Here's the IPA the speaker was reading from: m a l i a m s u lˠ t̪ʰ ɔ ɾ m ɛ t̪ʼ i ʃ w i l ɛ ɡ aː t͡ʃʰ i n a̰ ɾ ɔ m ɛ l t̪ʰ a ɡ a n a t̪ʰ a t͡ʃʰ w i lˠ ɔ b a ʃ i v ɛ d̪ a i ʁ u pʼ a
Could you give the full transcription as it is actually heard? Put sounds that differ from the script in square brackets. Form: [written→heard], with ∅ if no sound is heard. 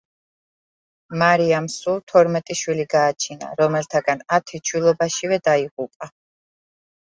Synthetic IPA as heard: m a [l→ɾ] i a m s u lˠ t̪ʰ ɔ ɾ m ɛ t̪ʼ i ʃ w i l [ɛ→i] ɡ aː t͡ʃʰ i n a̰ ɾ ɔ m ɛ l t̪ʰ a ɡ a n a t̪ʰ [a→i] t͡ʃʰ w i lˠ ɔ b a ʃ i v ɛ d̪ a i ʁ u pʼ a

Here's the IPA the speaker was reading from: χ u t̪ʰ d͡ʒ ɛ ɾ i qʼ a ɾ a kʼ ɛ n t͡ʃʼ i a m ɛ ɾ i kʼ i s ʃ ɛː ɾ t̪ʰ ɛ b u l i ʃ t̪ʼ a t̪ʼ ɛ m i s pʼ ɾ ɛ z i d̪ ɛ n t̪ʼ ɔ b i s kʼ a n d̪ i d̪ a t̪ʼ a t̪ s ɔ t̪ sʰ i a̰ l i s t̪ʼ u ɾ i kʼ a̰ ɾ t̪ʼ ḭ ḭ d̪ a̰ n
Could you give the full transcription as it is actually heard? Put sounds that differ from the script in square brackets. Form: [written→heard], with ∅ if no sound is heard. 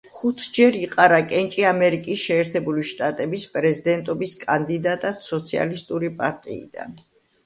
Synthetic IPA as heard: χ u t̪ʰ d͡ʒ ɛ ɾ i qʼ a ɾ a kʼ ɛ n t͡ʃʼ i a m ɛ ɾ i kʼ i s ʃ ɛː ɾ t̪ʰ ɛ b u l i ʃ t̪ʼ a t̪ʼ ɛ [m→b] i s pʼ ɾ ɛ z i d̪ ɛ n t̪ʼ ɔ b i s kʼ a n d̪ i d̪ a t̪ʼ a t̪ s ɔ t̪ sʰ i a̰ l i s t̪ʼ u ɾ i [kʼ→pʼ] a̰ ɾ t̪ʼ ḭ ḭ d̪ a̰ n

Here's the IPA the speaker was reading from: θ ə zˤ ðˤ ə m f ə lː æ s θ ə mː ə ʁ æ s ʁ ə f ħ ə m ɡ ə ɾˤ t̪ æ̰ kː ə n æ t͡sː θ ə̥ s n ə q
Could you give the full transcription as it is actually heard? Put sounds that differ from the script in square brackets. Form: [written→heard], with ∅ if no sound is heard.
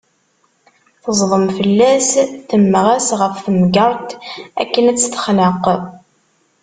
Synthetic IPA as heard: θ ə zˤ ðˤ ə m f ə lː æ s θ ə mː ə ʁ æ s ʁ ə f [ħ→θ] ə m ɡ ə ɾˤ t̪ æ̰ kː ə n æ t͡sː θ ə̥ [s→χ] n ə q

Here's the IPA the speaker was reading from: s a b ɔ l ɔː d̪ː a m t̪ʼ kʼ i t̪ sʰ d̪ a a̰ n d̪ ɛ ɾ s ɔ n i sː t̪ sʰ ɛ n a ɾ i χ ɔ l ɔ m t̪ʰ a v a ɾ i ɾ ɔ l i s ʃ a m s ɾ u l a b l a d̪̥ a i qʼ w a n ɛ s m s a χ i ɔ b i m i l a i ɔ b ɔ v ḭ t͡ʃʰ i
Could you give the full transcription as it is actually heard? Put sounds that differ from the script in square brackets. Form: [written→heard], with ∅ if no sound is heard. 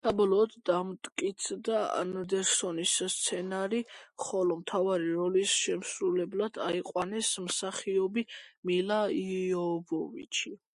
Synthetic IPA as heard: s a b ɔ l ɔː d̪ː a m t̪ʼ kʼ i t̪ sʰ d̪ a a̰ n d̪ ɛ ɾ s ɔ n i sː t̪ sʰ ɛ n a ɾ i χ ɔ l ɔ m t̪ʰ a v a ɾ i ɾ ɔ l i s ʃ [a→ɛ] m s ɾ u l [a→ɛ] b l a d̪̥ a i qʼ w a n ɛ s m s a χ i ɔ b i m i l a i ɔ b ɔ v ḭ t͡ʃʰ i

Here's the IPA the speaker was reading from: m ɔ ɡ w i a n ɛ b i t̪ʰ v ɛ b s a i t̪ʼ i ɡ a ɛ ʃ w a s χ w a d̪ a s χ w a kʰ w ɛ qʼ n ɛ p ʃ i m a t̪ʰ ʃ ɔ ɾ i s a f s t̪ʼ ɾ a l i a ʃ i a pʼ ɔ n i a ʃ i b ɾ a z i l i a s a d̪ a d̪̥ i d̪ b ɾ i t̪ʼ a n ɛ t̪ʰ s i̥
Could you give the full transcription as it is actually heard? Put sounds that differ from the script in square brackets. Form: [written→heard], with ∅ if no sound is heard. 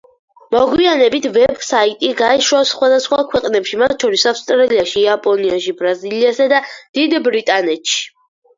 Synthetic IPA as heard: m ɔ ɡ w i a n ɛ b i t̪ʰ v ɛ b s a i t̪ʼ i ɡ a ɛ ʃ w a s χ w a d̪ a s χ w a kʰ w ɛ qʼ n ɛ p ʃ i m a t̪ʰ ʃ ɔ ɾ i s a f s t̪ʼ ɾ a l i a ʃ i a pʼ ɔ n i a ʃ i b ɾ a z i l i a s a d̪ a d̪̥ i d̪ b ɾ i t̪ʼ a n ɛ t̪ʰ [s→ʃ] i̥

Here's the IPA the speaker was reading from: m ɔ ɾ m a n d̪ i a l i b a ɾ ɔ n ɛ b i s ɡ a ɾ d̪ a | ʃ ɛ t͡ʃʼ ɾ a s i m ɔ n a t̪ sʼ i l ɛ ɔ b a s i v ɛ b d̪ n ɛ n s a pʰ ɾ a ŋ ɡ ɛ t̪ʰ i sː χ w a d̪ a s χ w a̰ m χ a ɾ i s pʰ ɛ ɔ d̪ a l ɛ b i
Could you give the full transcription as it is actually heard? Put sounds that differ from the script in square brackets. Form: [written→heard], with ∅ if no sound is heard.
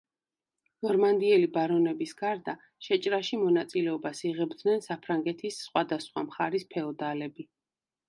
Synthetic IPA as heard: [m→n] ɔ ɾ m a n d̪ i [a→ɛ] l i b a ɾ ɔ n ɛ b i s ɡ a ɾ d̪ a | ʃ ɛ t͡ʃʼ ɾ a [s→ʃ] i m ɔ n a t̪ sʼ i l ɛ ɔ b a s i [v→ʁ] ɛ b d̪ n ɛ n s a pʰ ɾ a ŋ ɡ ɛ t̪ʰ i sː χ w a d̪ a s χ w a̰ m χ a ɾ i s pʰ ɛ ɔ d̪ a l ɛ b i

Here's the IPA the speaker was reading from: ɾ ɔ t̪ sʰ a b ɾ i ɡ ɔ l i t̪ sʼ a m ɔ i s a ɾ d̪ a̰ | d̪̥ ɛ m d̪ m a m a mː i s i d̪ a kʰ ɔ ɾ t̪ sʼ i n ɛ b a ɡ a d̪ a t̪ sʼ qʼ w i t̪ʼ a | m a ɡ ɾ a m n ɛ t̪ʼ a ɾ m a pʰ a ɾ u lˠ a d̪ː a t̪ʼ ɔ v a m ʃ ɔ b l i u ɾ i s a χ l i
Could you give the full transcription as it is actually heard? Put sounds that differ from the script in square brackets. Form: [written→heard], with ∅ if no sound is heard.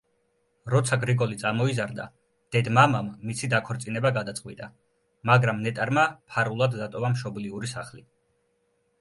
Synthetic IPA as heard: ɾ ɔ t̪ sʰ a [b→ɡ] ɾ i ɡ ɔ l i t̪ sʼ a m ɔ i [s→z] a ɾ d̪ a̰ | d̪̥ ɛ [m→∅] d̪ m a m a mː i s i d̪ a kʰ ɔ ɾ t̪ sʼ i n ɛ b a ɡ a d̪ a t̪ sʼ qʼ w i t̪ʼ a | m a ɡ ɾ a m n ɛ t̪ʼ a ɾ m a pʰ a ɾ u lˠ a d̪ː a t̪ʼ ɔ v a m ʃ ɔ b l i u ɾ i s a χ l i

